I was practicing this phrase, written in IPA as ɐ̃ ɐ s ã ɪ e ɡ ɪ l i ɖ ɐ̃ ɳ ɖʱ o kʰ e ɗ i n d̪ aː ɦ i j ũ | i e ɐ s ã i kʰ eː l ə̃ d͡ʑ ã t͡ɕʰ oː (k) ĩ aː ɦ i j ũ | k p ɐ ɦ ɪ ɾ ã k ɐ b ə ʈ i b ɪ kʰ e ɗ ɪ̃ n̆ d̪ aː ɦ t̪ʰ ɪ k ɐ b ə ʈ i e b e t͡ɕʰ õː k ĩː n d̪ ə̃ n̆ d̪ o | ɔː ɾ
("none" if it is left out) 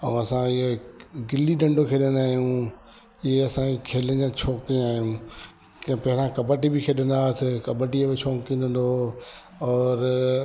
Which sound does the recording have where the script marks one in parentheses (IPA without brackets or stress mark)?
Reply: k